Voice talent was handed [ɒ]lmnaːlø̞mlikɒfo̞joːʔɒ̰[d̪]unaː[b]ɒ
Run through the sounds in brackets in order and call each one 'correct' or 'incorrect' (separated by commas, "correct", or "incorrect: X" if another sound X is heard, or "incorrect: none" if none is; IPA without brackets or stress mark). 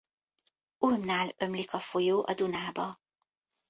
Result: incorrect: u, correct, correct